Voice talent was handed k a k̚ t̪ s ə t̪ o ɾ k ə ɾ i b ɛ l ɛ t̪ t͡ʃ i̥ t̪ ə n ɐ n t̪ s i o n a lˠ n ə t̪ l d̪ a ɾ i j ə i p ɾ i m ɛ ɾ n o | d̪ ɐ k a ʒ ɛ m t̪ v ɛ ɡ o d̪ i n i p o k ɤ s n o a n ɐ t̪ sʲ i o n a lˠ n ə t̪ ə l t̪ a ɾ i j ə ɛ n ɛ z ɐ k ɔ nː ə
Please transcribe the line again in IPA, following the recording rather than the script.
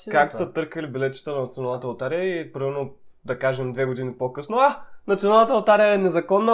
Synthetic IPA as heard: k a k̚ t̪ s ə t̪ ɤ ɾ k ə l i b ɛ l ɛ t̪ t͡ʃ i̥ t̪ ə n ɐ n t̪ s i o n a lˠ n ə t̪ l t̪ a ɾ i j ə i p ɾ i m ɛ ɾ n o | d̪ ɐ k a ʒ ɛ m d̪ v ɛ ɡ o d̪ i n i p o k ɤ s n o a n ɐ t̪ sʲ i o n a lˠ n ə t̪ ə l t̪ a ɾ i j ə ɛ n ɛ z ɐ k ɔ nː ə